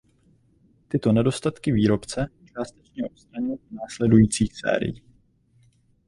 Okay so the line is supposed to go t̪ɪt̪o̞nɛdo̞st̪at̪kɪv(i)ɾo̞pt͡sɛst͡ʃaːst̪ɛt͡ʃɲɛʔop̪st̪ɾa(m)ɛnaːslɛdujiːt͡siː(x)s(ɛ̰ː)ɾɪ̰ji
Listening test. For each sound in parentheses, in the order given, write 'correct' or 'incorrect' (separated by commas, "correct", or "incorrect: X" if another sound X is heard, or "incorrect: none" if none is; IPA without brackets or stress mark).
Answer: incorrect: iː, incorrect: ɲ, correct, correct